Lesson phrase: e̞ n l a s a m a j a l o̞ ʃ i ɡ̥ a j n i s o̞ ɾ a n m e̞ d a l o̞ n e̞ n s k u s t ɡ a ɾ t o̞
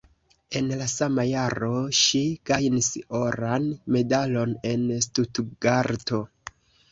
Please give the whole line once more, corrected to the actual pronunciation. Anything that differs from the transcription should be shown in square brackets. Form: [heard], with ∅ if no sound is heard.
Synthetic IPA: e̞ n l a s a m a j a [ɾ] o̞ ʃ i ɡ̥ a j n i s o̞ ɾ a n m e̞ d a l o̞ n e̞ n s [t] u [∅] t ɡ a ɾ t o̞